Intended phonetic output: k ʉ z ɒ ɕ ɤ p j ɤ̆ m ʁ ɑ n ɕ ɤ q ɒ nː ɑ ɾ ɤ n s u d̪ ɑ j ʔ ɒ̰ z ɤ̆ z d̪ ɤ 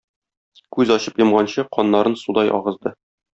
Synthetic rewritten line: k ʉ z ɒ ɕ ɤ p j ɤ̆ m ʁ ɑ n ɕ ɤ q ɒ nː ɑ ɾ ɤ n s u d̪ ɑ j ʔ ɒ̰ ʁ ɤ̆ z d̪ ɤ